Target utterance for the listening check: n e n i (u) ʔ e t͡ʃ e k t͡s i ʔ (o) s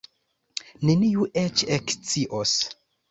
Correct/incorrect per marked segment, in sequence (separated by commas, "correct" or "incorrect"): correct, correct